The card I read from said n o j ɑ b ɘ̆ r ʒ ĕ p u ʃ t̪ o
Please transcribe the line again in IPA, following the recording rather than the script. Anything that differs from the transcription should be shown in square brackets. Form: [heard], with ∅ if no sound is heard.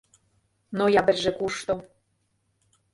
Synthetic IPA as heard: n o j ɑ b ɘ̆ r ʒ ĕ [k] u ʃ t̪ o

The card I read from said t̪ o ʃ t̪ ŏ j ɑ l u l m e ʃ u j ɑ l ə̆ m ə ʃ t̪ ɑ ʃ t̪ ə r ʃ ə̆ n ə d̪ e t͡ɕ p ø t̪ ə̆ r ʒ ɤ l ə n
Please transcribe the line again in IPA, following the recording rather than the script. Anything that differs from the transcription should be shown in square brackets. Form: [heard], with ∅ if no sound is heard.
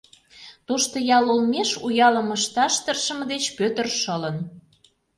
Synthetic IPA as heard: t̪ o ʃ t̪ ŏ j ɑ l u l m e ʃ u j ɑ l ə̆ m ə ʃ t̪ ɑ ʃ t̪ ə r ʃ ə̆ [m] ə d̪ e t͡ɕ p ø t̪ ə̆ r [ʃ] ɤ l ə n

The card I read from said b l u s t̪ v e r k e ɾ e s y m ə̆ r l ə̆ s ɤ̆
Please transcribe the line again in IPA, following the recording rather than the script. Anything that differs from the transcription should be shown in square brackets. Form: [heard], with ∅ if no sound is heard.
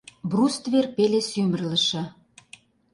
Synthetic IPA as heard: b [r] u s t̪ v e r [p] e [l] e s y m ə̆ r l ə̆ [ʃ] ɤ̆

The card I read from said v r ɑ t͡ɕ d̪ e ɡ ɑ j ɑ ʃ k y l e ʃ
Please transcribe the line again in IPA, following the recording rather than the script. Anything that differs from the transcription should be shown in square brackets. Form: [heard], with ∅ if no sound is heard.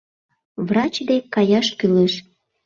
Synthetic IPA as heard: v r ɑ t͡ɕ d̪ e [k] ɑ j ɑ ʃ k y l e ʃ

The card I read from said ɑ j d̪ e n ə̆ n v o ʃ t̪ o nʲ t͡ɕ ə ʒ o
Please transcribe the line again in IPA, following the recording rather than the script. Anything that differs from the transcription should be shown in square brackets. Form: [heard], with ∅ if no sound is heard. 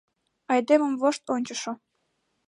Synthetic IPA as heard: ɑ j d̪ e [m] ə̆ [m] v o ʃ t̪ o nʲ t͡ɕ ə [ʃ] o

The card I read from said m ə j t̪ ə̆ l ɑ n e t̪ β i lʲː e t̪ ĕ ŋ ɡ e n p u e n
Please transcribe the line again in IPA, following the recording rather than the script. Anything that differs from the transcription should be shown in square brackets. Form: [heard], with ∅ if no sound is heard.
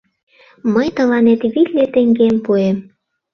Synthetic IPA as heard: m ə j t̪ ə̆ l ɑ n e t̪ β i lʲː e t̪ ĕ ŋ ɡ e [m] p u e [m]

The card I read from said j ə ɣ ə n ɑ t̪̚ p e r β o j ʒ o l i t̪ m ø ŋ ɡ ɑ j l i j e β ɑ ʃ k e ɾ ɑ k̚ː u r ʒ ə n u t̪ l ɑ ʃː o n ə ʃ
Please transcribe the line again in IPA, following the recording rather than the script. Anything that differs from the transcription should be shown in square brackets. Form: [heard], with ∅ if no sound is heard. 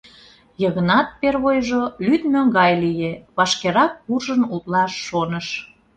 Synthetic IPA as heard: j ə ɣ ə n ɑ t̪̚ p e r β o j ʒ o l [y] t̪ m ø ŋ ɡ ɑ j l i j e β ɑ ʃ k e ɾ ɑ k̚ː u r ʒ ə n u t̪ l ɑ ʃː o n ə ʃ

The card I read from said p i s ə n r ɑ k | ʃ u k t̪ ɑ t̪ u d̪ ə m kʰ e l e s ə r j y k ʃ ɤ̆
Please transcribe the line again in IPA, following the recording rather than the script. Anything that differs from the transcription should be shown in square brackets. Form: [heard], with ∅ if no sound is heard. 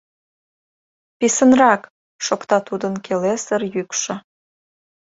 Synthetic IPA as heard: p i s ə n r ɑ k | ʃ [o] k t̪ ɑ t̪ u d̪ ə [n] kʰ e l e s ə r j y k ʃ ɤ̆

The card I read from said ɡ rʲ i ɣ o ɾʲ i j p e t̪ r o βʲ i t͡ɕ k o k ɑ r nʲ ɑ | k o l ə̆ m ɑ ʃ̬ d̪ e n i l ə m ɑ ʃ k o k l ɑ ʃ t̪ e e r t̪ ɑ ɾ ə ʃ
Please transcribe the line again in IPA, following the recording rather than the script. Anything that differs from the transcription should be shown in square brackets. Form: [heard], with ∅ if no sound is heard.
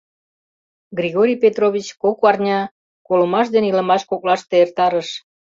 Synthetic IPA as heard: ɡ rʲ i ɣ o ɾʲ i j p e t̪ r o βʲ i t͡ɕ k o k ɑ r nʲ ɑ | k o l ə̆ m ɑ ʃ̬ d̪ e n i l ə m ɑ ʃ k o k l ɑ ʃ t̪ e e r t̪ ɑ ɾ ə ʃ

